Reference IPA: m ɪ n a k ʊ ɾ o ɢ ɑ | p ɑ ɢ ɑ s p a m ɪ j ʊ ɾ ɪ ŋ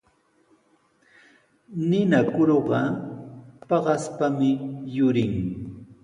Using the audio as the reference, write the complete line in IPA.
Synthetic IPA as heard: n ɪ n a k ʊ ɾ o ɢ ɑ | p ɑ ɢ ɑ s p a m ɪ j ʊ ɾ ɪ ŋ